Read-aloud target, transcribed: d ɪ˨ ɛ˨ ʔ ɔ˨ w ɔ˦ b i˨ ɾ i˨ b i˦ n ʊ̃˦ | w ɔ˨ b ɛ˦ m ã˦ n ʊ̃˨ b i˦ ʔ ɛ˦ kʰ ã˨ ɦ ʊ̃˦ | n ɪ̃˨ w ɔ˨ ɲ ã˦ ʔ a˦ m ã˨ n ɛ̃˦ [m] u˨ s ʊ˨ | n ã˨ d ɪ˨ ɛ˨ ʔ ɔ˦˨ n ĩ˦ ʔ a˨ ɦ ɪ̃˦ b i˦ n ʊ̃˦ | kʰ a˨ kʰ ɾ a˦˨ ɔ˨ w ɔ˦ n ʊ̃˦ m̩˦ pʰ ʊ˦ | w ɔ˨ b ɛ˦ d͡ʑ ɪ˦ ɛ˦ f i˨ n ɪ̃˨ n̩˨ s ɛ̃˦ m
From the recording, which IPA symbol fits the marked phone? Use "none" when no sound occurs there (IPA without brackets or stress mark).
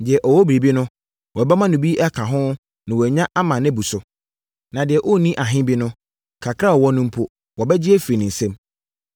b